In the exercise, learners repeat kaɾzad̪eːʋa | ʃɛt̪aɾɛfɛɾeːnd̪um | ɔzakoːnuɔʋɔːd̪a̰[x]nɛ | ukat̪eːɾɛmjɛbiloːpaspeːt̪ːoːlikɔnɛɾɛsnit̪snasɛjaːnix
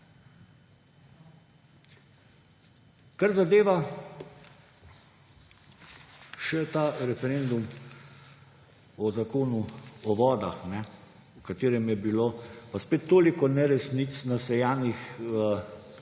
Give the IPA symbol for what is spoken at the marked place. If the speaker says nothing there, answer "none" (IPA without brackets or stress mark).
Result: x